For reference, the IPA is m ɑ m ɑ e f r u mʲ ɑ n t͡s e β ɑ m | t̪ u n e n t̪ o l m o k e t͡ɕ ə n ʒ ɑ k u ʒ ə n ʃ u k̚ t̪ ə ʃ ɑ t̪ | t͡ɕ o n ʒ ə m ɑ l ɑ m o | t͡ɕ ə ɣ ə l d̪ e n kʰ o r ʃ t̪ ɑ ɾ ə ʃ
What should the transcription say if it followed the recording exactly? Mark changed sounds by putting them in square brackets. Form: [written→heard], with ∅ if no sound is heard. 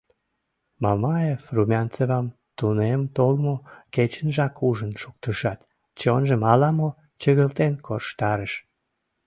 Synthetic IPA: m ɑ m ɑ e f r u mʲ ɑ n t͡s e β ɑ m | t̪ u n e [n→m] t̪ o l m o k e t͡ɕ ə n ʒ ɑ k u ʒ ə n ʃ u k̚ t̪ ə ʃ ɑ t̪ | t͡ɕ o n ʒ ə m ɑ l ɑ m o | t͡ɕ ə ɣ ə l [d̪→t̪] e n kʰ o r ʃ t̪ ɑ ɾ ə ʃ